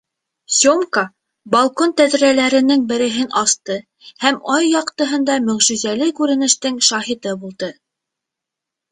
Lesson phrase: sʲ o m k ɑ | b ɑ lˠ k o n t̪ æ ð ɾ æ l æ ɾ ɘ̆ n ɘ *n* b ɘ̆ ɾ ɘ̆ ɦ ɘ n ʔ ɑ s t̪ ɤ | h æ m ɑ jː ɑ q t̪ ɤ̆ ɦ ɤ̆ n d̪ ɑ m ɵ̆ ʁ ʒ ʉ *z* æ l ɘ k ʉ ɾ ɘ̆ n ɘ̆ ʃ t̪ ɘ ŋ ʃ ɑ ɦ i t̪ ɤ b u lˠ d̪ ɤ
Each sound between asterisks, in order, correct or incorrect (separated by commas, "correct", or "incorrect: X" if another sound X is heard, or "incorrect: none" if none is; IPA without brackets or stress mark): incorrect: ŋ, correct